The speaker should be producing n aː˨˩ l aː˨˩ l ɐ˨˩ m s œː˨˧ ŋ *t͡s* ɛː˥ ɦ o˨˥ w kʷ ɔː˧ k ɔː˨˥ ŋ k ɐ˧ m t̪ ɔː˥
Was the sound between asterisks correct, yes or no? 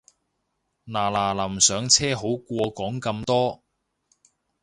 no